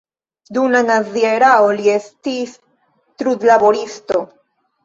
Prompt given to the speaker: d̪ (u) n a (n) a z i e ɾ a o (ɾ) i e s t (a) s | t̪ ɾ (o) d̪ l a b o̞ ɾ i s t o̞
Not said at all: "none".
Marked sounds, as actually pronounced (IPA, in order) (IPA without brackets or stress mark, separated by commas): u, n, l, i, u